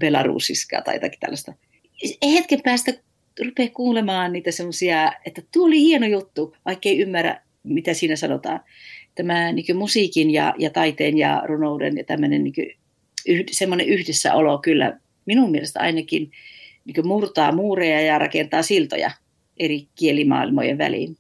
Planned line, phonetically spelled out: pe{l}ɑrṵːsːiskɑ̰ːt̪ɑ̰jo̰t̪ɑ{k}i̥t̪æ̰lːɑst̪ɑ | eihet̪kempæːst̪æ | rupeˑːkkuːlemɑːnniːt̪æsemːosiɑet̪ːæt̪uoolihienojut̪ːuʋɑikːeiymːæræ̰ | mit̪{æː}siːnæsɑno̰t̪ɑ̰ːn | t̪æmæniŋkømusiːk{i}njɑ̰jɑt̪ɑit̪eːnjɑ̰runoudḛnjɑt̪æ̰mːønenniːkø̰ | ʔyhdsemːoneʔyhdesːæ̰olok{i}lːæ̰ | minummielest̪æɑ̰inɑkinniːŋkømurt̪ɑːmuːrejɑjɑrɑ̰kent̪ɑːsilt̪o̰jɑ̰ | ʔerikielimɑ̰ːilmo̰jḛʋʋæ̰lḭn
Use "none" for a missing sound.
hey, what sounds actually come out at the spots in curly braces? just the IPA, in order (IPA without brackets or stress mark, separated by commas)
l, k, æ, i, y